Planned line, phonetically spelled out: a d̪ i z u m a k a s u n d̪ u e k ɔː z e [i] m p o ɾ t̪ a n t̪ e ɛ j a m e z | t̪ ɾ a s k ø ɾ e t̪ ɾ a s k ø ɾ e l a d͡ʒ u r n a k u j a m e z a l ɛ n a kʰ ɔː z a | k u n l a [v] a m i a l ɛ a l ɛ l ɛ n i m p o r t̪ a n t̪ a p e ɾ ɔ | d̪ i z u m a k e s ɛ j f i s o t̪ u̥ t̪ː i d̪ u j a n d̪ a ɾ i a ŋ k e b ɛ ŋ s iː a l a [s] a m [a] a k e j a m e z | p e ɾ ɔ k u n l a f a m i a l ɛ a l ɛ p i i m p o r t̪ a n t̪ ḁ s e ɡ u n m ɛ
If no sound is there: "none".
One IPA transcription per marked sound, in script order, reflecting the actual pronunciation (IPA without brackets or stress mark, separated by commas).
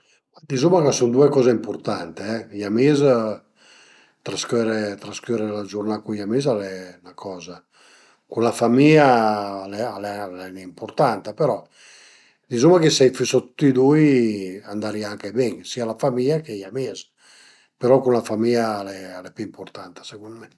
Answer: i, f, f, i